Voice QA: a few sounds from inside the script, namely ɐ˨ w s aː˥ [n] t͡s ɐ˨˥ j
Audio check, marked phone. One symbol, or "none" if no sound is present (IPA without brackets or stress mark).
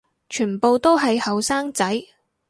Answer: ŋ